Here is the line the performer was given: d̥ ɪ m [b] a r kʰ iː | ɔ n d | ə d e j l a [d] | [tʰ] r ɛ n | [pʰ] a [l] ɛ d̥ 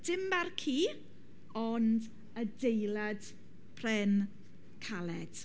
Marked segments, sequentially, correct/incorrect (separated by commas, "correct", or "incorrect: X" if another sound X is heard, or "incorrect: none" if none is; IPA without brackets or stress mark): correct, correct, incorrect: pʰ, incorrect: kʰ, correct